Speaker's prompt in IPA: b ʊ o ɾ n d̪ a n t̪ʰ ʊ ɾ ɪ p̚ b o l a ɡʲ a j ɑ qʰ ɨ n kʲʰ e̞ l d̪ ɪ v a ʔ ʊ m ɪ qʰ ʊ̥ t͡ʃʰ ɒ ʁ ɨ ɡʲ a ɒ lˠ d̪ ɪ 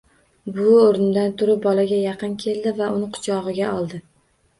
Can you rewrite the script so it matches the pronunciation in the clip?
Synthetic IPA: b ʊ o ɾ n d̪ a n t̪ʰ ʊ ɾ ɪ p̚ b ɒ l a ɡʲ a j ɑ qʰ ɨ n kʲʰ e̞ l d̪ ɪ v a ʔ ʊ n ɪ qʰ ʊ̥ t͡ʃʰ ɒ ʁ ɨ ɡʲ a ɒ lˠ d̪ ɪ